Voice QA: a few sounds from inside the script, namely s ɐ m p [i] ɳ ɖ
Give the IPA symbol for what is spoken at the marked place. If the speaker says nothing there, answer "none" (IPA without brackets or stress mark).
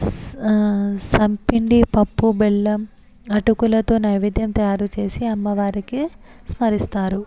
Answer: i